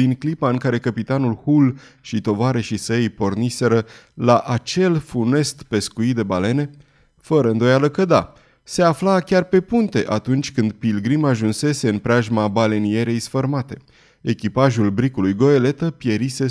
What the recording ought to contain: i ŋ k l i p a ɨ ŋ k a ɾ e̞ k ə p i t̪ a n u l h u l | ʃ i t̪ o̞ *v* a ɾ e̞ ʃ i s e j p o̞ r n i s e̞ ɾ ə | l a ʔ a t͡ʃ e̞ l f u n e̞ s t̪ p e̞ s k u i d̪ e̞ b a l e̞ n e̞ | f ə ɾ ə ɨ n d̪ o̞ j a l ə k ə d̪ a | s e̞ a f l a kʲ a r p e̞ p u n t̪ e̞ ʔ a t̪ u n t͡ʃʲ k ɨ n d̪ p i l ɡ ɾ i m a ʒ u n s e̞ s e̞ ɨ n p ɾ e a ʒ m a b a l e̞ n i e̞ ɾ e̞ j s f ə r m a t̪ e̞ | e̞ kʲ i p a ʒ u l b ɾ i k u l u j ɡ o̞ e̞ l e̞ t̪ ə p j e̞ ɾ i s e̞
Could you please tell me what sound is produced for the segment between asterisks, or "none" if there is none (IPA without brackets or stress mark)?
v